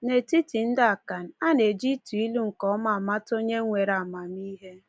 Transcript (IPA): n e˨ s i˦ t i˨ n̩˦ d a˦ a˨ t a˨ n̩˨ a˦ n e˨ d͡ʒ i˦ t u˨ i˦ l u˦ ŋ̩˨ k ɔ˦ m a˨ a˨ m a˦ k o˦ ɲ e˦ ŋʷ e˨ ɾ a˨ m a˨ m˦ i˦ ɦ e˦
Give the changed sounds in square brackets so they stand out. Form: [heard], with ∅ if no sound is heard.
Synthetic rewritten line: n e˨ [t] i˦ t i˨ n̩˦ d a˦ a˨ [k] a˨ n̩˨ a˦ n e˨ d͡ʒ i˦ t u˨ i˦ l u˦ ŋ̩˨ k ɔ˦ m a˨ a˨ m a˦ [t] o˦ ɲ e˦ ŋʷ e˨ ɾ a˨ m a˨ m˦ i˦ ɦ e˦